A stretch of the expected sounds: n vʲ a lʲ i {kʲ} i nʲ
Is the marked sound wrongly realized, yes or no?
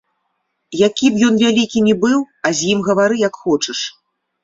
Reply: no